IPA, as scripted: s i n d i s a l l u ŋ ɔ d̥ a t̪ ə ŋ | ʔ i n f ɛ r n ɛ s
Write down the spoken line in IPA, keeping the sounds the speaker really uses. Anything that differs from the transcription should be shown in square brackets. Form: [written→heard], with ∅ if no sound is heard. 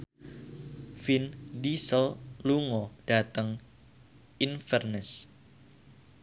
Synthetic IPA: [s→f] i n d i s [a→ə] l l u ŋ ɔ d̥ a t̪ ə ŋ | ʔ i n f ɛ r n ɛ s